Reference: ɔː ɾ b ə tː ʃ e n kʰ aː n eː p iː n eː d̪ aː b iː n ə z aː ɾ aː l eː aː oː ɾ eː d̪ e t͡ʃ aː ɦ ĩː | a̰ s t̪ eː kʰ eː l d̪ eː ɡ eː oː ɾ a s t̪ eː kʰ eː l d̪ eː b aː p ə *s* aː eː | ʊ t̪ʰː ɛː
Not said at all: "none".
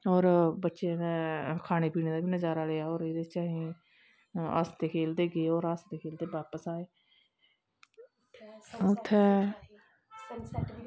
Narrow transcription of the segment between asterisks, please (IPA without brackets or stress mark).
s